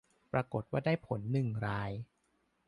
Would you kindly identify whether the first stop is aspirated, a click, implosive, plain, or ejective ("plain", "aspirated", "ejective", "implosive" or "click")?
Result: plain